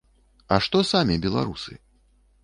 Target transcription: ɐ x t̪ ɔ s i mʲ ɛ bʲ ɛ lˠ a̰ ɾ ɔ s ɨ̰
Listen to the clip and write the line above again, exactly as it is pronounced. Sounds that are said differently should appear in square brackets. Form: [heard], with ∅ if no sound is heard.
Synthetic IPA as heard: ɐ [ʂ] t̪ ɔ s [a] mʲ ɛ bʲ ɛ lˠ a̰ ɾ [u] s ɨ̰